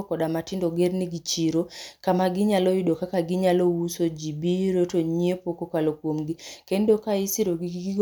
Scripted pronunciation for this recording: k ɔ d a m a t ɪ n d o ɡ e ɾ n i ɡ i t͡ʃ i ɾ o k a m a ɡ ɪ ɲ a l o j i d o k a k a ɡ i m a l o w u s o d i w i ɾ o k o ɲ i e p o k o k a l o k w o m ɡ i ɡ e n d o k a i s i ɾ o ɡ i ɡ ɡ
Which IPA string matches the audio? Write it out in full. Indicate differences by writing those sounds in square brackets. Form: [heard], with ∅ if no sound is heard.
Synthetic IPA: k ɔ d a m a t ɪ n d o ɡ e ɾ n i ɡ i t͡ʃ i ɾ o k a m a ɡ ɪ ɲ a l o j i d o k a k a ɡ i [ɲ] a l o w u s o [d͡ʒ] i [b] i ɾ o [t] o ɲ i e p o k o k a l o k w o m ɡ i [k] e n d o k a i s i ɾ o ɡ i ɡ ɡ